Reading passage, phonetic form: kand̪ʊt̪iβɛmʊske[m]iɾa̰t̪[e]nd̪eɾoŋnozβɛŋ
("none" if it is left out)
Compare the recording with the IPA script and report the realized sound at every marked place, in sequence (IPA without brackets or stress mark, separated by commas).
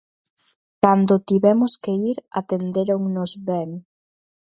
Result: none, e